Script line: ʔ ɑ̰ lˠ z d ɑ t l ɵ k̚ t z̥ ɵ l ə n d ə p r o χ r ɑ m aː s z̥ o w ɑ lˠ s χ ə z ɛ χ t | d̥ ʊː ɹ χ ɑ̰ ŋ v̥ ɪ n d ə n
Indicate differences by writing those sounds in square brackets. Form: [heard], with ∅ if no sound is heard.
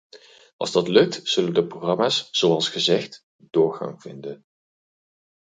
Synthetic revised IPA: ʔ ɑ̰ lˠ z d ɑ t l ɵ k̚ t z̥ ɵ l ə n d ə p r o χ r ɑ m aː s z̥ o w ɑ lˠ s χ ə z ɛ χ t | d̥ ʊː ɹ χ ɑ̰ ŋ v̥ ɪ n d ə n

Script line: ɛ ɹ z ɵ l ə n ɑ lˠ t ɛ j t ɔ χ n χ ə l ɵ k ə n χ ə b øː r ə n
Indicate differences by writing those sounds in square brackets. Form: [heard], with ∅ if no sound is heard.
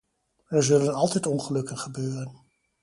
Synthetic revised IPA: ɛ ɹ z ɵ l ə n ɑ lˠ t ɛ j t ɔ [∅] n χ ə l ɵ k ə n χ ə b øː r ə n

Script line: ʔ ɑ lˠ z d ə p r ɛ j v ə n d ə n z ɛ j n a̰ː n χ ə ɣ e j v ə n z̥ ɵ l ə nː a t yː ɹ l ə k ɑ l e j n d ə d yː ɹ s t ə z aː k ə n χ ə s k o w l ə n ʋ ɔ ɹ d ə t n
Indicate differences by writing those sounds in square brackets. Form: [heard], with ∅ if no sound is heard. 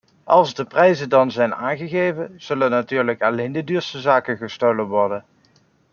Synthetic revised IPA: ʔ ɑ lˠ z d ə p r ɛ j [z] ə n d [ɑ] n z ɛ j n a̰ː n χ ə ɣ e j v ə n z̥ ɵ l ə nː a t yː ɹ l ə k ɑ l e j n d ə d yː ɹ s t ə z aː k ə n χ ə s [t] o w l ə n ʋ ɔ ɹ d ə [∅] n

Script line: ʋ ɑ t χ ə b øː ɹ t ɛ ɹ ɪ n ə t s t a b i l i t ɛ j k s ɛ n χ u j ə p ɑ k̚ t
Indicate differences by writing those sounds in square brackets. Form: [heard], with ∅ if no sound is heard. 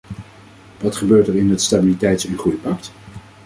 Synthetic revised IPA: ʋ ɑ t χ ə b øː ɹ t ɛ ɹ ɪ n ə t s t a b i l i t ɛ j [t] s ɛ n χ u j ə p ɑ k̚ t

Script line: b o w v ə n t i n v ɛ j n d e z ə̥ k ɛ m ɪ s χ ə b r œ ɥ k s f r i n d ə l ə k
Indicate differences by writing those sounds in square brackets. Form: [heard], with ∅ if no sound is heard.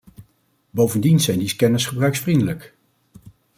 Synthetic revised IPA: b o w v ə n [d] i n [z] ɛ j n d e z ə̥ k ɛ [n] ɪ s χ ə b r œ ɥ k s f r i n d ə l ə k

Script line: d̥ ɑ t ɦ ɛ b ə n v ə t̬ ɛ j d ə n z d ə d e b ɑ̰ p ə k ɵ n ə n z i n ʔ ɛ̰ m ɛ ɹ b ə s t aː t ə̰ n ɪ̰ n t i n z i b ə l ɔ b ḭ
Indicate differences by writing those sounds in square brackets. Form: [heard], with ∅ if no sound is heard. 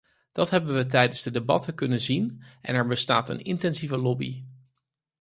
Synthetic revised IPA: d̥ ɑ t ɦ ɛ b ə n [ʋ] ə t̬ ɛ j d ə n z d ə d e b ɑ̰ [t] ə k ɵ n ə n z i n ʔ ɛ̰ [n] ɛ ɹ b ə s t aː t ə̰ n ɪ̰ n t [ɛ] n z i [v] ə l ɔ b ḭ

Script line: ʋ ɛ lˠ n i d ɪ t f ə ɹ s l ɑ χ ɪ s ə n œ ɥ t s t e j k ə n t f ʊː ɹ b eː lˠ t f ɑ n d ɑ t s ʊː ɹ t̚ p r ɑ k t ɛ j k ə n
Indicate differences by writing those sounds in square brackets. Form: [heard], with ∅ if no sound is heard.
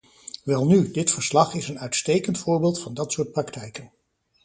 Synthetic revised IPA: ʋ ɛ lˠ n [y] d ɪ t f ə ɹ s l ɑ χ ɪ s ə n œ ɥ t s t e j k ə n t f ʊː ɹ b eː lˠ t f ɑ n d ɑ t s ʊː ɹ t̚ p r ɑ k t ɛ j k ə n

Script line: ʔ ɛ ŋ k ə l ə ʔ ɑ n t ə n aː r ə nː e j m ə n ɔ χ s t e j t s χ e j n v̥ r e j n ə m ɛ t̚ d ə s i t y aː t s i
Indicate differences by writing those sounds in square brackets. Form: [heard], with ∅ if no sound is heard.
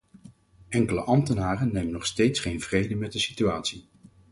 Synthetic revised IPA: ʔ ɛ ŋ k ə l ə ʔ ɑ [m] t ə n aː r ə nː e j m ə n ɔ χ s t e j t s χ e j n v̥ r e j [d] ə m ɛ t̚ d ə s i t y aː t s i

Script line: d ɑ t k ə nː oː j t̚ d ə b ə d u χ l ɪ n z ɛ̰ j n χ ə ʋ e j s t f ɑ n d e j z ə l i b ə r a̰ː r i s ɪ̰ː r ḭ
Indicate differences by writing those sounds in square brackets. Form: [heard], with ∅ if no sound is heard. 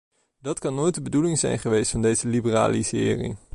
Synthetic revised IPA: d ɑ t k [ɑ] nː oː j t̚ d ə b ə d u [∅] l ɪ [ŋ] z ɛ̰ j n χ ə ʋ e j s t f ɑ n d e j z ə l i b ə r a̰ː [l] i s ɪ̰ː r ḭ

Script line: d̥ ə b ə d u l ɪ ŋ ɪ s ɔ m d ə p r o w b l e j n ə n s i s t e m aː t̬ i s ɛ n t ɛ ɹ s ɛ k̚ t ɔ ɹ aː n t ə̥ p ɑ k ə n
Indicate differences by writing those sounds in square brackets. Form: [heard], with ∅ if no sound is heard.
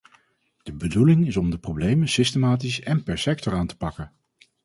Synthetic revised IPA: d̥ ə b ə d u l ɪ ŋ ɪ s ɔ m d ə p r o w b l e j [m] ə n s [ɪ] s t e m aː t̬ i s ɛ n [p] ɛ ɹ s ɛ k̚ t ɔ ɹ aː n t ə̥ p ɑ k ə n

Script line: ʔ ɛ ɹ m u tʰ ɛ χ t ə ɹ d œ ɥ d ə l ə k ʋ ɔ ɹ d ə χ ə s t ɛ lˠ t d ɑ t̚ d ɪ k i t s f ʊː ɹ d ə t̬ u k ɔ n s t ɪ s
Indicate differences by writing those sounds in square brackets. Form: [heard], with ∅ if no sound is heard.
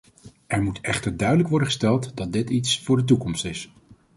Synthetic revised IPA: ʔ ɛ ɹ m u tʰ ɛ χ t ə ɹ d œ ɥ d ə l ə k ʋ ɔ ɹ d ə χ ə s t ɛ lˠ t d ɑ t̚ d ɪ [t] i t s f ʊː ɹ d ə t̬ u k ɔ [m] s t ɪ s

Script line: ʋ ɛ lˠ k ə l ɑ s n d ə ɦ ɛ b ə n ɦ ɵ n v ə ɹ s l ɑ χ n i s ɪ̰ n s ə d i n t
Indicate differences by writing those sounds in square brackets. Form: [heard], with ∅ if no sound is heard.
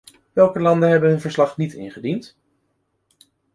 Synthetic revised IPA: ʋ ɛ lˠ k ə l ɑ [∅] n d ə ɦ ɛ b ə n ɦ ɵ n v ə ɹ s l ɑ χ n i [t] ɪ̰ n [χ] ə d i n t

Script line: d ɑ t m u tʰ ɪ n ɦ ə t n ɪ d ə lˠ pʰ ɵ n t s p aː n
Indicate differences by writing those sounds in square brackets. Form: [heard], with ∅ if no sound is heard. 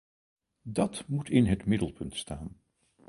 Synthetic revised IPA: d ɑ t m u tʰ ɪ n ɦ ə t [m] ɪ d ə lˠ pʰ ɵ n t s [t] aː n

